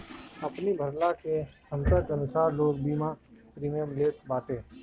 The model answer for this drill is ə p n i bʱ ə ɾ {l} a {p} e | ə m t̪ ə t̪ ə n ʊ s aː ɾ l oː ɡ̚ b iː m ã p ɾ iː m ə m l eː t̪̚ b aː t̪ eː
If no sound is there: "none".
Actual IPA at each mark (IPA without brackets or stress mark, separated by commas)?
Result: l, k